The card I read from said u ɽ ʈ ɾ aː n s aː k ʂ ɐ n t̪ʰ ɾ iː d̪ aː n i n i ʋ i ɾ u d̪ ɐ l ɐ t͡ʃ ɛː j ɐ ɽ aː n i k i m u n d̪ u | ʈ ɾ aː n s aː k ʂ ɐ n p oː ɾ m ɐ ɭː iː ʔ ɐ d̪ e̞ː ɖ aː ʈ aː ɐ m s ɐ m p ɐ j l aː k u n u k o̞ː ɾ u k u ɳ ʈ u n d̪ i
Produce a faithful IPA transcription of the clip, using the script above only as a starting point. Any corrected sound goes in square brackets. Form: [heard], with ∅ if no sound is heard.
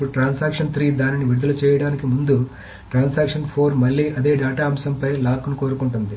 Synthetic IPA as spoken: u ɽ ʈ ɾ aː n s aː k ʂ ɐ n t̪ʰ ɾ iː d̪ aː n i n i ʋ i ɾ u d̪ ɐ l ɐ t͡ʃ ɛː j ɐ ɽ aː n i k i m u n d̪ u | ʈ ɾ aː n s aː k ʂ ɐ n [pʰ] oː ɾ m ɐ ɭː iː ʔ ɐ d̪ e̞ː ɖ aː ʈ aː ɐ m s ɐ m p ɐ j l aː k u n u k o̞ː ɾ u k u ɳ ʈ u n d̪ i